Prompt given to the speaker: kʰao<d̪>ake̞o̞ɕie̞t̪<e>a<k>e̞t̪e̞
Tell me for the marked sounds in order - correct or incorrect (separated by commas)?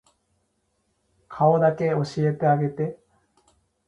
correct, correct, incorrect